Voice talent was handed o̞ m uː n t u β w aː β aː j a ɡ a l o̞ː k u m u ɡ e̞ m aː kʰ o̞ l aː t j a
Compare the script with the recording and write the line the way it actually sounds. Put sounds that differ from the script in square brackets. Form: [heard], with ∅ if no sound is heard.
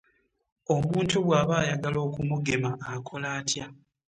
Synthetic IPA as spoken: o̞ m uː n t u β w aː β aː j a ɡ a l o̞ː k u m u ɡ e̞ m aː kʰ o̞ l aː t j a